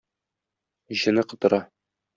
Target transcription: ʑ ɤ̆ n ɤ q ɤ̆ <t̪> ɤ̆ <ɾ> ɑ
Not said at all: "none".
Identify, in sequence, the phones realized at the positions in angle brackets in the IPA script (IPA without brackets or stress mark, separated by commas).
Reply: t̪, ɾ